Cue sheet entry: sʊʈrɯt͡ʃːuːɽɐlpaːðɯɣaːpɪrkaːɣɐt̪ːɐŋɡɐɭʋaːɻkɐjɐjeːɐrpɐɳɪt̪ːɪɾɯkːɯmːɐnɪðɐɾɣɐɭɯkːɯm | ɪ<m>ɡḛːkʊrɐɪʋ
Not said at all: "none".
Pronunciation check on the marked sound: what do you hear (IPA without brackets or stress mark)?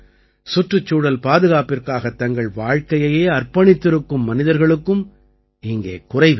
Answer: ŋ